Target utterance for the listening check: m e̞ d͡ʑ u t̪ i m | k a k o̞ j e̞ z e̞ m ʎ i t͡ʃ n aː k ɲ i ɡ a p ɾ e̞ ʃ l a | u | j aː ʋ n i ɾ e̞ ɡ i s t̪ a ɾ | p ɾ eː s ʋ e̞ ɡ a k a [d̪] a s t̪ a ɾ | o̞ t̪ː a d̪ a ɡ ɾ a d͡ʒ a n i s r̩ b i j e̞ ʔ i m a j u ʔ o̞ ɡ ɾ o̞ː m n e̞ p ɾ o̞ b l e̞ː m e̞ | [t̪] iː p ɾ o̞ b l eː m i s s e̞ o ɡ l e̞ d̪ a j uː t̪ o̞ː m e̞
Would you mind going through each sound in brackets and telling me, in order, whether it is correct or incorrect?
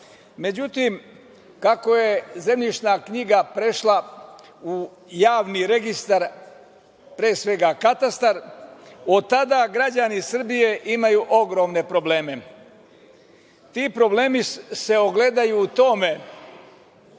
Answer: incorrect: t̪, correct

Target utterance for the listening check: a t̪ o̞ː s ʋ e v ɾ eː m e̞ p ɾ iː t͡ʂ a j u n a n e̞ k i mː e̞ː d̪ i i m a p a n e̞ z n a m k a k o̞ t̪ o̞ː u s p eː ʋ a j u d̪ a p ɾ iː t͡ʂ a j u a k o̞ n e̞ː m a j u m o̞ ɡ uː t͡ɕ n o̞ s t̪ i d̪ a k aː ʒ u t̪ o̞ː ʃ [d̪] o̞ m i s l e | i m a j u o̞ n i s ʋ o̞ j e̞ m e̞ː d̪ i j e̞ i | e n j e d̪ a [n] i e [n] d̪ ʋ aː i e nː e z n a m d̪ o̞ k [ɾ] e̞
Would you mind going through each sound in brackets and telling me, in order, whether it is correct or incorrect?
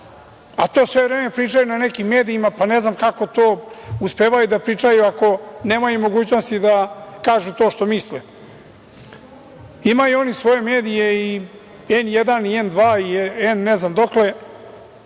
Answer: incorrect: t̪, correct, correct, incorrect: l

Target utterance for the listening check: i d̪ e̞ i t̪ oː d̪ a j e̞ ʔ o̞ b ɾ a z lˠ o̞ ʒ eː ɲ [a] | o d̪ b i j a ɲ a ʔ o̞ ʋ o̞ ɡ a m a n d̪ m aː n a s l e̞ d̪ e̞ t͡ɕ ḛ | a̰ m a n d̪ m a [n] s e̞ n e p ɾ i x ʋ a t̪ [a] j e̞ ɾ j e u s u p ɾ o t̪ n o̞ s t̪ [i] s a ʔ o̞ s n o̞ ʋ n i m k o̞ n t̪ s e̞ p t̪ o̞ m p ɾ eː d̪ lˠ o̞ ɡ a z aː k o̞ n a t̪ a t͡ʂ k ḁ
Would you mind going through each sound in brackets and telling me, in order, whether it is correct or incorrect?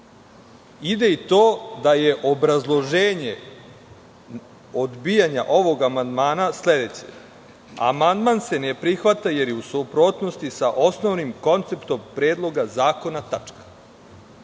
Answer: incorrect: e, correct, correct, correct

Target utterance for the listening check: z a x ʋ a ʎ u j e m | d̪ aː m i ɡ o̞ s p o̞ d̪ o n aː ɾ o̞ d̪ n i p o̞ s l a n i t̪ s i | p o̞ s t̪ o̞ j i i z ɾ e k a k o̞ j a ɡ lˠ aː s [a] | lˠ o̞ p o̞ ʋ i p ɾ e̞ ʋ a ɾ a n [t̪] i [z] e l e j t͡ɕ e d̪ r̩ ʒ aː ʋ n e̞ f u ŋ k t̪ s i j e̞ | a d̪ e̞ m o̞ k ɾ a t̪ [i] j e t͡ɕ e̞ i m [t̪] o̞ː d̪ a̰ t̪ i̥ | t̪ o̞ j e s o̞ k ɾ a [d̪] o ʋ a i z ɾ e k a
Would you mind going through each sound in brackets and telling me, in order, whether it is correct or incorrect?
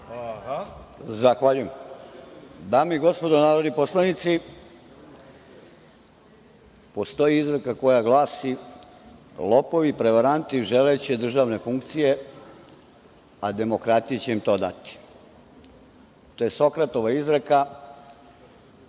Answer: incorrect: i, correct, incorrect: ʒ, correct, correct, incorrect: t̪

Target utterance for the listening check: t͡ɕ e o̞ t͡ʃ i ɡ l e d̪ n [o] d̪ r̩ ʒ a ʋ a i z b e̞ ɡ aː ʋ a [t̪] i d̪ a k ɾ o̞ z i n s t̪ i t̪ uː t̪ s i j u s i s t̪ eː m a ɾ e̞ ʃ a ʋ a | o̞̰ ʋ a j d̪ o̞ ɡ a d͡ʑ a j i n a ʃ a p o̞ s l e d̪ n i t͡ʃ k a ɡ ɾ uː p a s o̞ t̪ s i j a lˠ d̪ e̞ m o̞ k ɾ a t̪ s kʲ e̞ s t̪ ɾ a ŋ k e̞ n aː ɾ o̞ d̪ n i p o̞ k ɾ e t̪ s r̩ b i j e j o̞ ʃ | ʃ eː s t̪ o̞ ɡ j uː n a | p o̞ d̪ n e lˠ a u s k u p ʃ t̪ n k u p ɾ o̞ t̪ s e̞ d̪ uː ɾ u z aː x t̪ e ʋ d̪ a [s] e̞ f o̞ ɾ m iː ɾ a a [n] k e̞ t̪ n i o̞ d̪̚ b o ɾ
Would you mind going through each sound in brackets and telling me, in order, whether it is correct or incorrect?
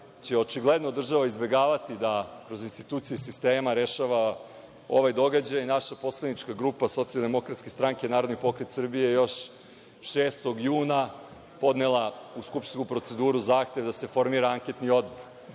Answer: correct, correct, correct, incorrect: ŋ

